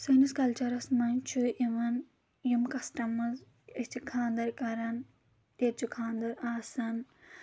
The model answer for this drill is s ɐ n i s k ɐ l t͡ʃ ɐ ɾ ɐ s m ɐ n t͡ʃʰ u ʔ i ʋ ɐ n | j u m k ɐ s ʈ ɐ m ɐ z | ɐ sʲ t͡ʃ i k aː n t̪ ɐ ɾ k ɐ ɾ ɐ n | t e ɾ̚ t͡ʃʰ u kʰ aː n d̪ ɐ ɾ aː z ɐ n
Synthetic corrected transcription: s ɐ n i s k ɐ l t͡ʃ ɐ ɾ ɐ s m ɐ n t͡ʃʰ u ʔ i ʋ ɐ n | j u m k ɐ s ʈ ɐ m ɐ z | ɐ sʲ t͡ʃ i kʰ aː n d̪ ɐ ɾ k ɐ ɾ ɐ n | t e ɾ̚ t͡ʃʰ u kʰ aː n d̪ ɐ ɾ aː s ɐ n